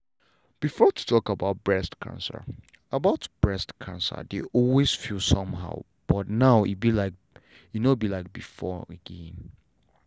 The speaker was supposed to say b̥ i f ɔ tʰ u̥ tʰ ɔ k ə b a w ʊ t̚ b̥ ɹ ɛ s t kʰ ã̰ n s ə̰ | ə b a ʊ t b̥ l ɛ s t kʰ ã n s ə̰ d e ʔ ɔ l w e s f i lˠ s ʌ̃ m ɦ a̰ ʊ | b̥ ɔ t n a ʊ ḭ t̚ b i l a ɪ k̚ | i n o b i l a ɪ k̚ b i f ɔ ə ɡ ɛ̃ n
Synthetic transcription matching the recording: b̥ i f ɔ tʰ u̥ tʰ ɔ k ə b a ʊ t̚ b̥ ɹ ɛ s t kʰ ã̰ n s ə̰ | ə b a ʊ t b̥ ɹ ɛ s t kʰ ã n s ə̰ d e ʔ ɔ l w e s f i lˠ s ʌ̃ m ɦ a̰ ʊ | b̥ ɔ t n a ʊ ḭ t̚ b i l a ɪ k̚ | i n o b i l a ɪ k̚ b i f ɔ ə ɡ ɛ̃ n